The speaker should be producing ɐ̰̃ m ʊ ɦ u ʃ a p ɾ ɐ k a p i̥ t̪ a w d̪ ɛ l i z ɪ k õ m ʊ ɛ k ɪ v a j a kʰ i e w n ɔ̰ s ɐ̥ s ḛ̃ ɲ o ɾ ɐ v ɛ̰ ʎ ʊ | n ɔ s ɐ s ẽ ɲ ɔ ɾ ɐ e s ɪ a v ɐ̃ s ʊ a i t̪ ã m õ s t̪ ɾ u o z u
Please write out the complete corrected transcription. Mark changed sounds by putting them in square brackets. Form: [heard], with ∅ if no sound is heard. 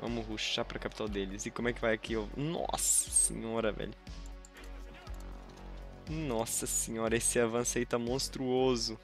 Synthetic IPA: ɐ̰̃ m ʊ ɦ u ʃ a p ɾ ɐ k a p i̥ t̪ a w d̪ [e] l [ɪ] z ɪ k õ m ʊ ɛ k ɪ v a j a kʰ i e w n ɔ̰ s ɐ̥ s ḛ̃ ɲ [ɔ] ɾ ɐ v ɛ̰ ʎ ʊ | n ɔ s ɐ s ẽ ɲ ɔ ɾ ɐ e s ɪ a v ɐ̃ s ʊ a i t̪ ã m õ s t̪ ɾ u o z [ʊ]